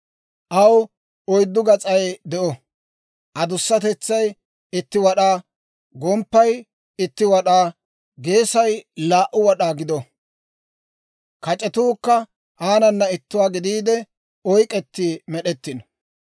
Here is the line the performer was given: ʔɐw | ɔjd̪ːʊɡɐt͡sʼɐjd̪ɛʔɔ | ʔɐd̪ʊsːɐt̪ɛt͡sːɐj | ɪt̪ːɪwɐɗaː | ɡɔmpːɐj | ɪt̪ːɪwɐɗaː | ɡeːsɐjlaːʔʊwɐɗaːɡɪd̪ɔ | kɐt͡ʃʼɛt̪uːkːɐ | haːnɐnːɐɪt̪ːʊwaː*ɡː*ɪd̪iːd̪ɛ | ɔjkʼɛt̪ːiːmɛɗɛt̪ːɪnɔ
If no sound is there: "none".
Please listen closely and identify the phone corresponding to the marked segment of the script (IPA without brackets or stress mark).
ɡ